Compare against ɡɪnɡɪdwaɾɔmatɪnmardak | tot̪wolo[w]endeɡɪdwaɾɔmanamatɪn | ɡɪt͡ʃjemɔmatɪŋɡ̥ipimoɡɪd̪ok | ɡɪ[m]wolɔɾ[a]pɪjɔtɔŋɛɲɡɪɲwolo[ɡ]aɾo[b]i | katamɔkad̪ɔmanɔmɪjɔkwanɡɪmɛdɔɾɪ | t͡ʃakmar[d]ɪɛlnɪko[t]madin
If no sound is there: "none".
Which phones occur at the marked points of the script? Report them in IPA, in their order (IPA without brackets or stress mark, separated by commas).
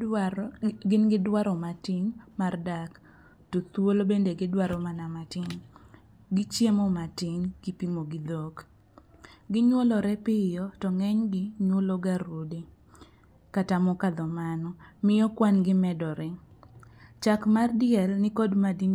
b, ɲ, ɛ, ɡ, d, d, d